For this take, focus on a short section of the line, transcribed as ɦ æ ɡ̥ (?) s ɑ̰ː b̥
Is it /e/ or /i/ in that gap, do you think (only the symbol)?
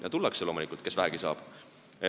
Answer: i